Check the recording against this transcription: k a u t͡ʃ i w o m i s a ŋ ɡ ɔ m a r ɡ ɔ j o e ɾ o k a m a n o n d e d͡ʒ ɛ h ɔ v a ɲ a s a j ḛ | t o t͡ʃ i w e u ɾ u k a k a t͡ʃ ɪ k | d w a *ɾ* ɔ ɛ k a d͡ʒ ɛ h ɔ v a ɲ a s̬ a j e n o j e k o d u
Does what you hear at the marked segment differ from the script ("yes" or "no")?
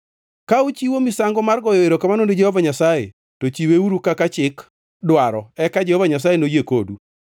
no